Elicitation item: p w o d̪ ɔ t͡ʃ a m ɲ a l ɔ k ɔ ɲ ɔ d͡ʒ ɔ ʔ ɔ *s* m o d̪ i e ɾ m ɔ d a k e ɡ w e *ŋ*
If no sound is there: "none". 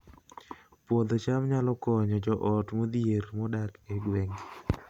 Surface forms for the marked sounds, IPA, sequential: t, ŋ

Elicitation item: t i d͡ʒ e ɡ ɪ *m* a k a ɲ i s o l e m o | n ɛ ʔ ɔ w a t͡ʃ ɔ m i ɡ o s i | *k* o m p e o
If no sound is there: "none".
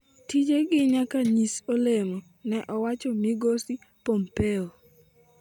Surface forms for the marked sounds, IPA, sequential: ɲ, p

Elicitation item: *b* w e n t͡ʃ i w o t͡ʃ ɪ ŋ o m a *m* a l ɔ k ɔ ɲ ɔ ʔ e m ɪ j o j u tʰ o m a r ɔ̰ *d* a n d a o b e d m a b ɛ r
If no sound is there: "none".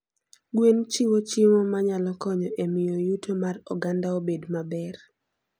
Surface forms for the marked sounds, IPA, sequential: ɡ, ɲ, ɡ

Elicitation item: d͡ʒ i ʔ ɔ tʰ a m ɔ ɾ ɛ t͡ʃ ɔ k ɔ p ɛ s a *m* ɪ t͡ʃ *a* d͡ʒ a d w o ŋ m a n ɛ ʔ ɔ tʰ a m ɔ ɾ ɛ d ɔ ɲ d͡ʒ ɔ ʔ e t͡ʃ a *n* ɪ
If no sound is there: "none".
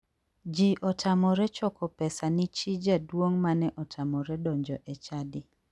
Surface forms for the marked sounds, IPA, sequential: n, i, d

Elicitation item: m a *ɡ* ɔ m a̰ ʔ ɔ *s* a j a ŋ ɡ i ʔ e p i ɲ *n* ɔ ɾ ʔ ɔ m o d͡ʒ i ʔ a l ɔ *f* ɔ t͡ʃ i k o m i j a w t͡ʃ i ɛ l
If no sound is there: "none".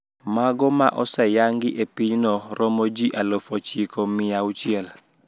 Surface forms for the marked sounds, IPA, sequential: ɡ, s, n, f

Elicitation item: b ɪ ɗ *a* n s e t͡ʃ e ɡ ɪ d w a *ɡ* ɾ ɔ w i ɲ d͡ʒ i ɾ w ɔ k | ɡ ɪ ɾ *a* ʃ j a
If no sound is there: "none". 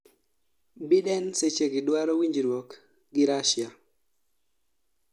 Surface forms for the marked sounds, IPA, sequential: ɛ, none, a

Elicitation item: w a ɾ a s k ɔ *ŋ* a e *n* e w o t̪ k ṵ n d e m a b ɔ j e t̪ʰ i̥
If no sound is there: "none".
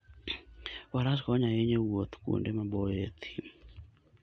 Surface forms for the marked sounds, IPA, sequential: ɲ, ɲ

